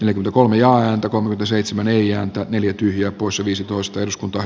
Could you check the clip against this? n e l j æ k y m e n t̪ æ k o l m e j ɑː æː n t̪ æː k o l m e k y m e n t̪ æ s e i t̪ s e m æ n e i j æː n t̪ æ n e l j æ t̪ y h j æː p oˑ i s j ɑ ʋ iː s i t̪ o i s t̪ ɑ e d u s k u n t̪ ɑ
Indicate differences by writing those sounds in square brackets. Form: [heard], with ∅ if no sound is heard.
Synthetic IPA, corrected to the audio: n e l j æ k y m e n t̪ æ k o l m e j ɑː æː n t̪ [æ] k o l m e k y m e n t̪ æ s e i t̪ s e m æ n e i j æː n t̪ æ n e l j æ t̪ y h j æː p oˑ i s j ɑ ʋ iː s i t̪ o i s t̪ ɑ e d u s k u n t̪ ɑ